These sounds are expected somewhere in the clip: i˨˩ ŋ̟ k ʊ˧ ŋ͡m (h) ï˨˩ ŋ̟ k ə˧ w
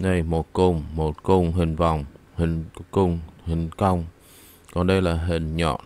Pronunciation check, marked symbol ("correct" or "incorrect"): correct